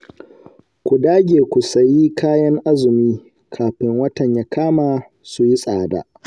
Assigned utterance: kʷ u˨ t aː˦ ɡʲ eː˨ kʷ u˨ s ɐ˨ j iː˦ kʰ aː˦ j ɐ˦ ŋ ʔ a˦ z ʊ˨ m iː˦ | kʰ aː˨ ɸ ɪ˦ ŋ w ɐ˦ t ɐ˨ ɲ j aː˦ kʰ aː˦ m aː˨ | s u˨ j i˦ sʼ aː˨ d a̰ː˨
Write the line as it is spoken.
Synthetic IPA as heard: kʷ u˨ d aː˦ ɡʲ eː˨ kʷ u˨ s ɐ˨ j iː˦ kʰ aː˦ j ɐ˦ ŋ ʔ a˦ z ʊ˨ m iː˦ | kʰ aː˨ ɸ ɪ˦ ŋ w ɐ˦ t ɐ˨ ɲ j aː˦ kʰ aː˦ m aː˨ | s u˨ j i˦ sʼ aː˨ d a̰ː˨